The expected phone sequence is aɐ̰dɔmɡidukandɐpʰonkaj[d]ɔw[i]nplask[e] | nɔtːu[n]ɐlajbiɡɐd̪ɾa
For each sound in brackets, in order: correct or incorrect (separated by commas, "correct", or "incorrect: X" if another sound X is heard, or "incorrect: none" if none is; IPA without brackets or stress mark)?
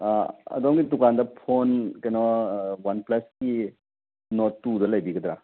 incorrect: n, incorrect: a, incorrect: i, incorrect: d